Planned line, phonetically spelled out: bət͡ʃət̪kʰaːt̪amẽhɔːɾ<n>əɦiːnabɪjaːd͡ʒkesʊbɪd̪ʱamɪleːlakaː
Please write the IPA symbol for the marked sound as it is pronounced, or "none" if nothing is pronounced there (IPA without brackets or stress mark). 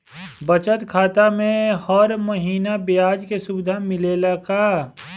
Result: m